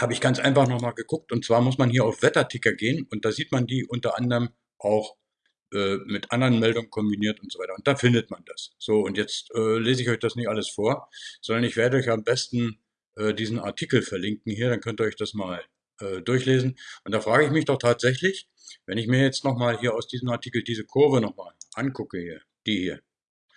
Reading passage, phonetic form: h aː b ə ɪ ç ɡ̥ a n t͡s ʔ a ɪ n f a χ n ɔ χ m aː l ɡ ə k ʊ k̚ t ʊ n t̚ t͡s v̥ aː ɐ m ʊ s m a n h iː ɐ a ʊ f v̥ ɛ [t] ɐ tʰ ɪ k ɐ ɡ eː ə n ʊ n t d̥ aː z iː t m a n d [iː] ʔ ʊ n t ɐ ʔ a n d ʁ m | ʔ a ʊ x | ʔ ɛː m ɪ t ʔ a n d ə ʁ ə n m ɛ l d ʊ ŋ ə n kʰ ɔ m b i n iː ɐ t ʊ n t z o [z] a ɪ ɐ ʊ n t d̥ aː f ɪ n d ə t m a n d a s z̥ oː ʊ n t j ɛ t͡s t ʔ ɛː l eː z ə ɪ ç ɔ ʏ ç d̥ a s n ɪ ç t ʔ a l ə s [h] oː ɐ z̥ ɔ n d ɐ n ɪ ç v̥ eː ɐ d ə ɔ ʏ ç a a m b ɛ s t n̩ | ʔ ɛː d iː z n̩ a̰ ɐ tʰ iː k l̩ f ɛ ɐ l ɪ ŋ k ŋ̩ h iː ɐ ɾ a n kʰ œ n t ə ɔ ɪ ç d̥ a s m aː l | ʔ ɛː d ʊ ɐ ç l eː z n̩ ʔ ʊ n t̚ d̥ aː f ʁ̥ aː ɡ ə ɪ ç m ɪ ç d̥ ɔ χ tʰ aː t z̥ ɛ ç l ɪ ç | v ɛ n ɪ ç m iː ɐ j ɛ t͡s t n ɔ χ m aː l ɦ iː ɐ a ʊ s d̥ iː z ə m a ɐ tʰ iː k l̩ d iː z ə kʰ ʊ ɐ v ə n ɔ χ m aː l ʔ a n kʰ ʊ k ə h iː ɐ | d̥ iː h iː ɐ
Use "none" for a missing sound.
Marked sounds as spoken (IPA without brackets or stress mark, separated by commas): t, iː, v, f